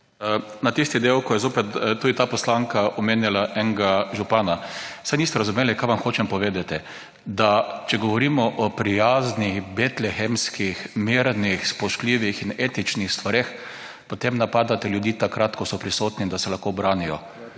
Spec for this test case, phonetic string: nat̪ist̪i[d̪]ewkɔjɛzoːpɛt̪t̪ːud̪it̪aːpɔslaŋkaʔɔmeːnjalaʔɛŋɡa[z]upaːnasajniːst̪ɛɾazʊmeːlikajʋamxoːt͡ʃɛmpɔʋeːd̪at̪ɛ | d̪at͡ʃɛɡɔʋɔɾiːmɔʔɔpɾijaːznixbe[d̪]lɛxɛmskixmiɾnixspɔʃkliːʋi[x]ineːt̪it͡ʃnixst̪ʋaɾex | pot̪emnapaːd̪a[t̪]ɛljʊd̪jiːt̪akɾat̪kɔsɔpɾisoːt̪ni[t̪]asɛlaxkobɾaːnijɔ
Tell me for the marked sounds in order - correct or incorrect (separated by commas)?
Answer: correct, incorrect, incorrect, correct, correct, incorrect